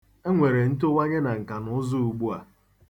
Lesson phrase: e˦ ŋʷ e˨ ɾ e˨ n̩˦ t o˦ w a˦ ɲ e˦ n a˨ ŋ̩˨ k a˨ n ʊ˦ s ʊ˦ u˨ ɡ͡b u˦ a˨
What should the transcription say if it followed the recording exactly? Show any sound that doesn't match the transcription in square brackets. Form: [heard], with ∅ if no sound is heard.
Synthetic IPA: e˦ ŋʷ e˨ ɾ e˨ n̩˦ t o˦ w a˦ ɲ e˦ n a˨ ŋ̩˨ k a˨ n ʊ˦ [z] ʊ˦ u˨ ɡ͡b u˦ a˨